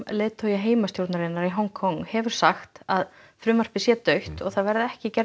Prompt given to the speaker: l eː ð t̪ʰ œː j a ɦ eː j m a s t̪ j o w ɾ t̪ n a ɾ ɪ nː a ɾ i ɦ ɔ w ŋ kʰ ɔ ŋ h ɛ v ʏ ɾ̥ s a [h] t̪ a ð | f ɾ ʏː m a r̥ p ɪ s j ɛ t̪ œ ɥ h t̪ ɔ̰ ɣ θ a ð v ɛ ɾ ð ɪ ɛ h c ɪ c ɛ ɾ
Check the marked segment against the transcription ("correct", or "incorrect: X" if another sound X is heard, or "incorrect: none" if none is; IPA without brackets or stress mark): incorrect: x